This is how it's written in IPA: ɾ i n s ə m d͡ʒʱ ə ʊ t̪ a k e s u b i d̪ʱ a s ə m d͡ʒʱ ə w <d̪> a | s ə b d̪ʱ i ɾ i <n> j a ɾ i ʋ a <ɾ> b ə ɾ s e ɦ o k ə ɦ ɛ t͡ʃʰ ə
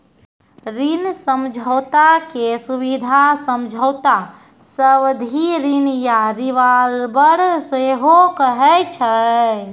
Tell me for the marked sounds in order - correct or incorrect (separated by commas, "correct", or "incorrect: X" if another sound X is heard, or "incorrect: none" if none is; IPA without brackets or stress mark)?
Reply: incorrect: t̪, correct, incorrect: l